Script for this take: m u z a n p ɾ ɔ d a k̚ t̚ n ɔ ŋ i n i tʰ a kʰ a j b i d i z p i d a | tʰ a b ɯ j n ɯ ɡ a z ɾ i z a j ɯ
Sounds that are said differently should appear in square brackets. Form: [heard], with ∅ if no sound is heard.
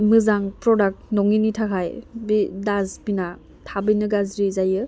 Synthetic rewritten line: m [ɯ] z a [ŋ] p ɾ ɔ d a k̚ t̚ n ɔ ŋ i n i tʰ a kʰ a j b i d [a] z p i [n] a | tʰ a b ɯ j n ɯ ɡ a z ɾ i z a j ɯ